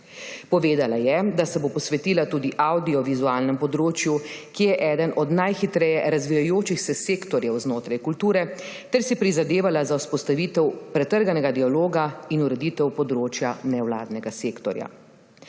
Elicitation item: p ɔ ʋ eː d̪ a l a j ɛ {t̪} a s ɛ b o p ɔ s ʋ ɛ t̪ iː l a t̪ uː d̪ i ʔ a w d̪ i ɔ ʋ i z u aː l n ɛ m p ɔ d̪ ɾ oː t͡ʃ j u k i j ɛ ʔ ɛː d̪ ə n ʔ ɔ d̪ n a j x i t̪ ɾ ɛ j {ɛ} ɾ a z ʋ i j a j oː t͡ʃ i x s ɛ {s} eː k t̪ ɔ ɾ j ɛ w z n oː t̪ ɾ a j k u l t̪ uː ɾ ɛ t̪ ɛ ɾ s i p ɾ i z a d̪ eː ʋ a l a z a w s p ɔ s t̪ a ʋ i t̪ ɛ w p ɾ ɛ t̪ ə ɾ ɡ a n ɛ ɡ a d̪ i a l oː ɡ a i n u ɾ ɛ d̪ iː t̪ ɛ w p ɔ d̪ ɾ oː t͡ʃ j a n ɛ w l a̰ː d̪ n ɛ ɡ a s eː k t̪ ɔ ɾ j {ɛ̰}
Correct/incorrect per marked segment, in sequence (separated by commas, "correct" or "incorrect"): incorrect, correct, correct, incorrect